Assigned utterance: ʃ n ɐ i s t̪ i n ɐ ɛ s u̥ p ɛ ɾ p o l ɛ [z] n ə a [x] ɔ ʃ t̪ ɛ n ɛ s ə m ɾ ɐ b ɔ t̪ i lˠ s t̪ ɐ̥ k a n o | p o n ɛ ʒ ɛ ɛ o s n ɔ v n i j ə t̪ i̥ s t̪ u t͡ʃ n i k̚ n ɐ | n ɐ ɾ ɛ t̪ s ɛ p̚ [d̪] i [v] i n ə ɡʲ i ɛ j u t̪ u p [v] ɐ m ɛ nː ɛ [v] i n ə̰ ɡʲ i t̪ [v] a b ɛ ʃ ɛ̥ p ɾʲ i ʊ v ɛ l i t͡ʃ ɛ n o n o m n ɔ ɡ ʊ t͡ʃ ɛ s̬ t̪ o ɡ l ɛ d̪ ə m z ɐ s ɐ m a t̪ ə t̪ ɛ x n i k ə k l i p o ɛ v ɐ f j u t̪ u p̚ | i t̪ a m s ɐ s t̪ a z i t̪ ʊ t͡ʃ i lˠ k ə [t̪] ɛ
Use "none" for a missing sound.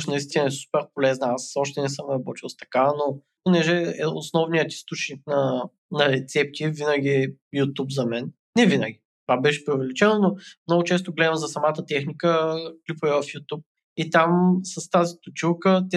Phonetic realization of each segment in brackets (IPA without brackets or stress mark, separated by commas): z, s, t̪, v, z, v, v, t̪